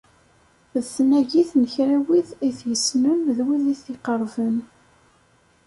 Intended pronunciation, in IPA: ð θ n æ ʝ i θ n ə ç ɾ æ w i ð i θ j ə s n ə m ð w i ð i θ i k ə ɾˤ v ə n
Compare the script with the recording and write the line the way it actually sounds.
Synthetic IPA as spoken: ð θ n æ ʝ i θ n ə ç ɾ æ w i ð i θ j ə s n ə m ð w i ð i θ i q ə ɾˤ v ə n